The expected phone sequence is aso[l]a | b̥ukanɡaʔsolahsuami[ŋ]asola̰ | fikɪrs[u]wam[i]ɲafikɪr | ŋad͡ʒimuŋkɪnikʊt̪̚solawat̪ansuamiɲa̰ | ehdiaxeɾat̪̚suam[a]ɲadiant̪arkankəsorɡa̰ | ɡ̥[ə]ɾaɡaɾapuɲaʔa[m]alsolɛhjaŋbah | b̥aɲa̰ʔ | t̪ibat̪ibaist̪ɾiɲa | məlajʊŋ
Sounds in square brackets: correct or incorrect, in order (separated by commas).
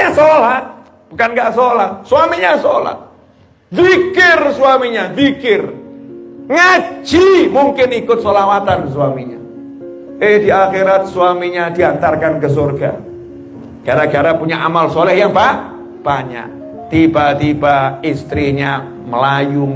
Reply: correct, incorrect, correct, correct, incorrect, incorrect, correct